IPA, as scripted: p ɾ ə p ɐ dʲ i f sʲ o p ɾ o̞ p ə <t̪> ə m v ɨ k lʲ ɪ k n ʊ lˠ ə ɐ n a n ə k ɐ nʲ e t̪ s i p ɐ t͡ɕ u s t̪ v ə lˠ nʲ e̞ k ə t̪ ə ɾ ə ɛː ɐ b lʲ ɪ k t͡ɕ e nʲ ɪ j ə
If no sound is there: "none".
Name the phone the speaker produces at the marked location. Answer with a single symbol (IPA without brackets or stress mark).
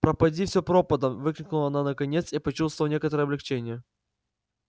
d̪